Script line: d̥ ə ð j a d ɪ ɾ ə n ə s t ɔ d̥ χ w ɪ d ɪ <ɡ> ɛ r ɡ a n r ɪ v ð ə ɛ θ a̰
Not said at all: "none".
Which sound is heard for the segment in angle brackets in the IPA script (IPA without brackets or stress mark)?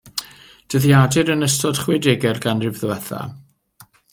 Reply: ɡ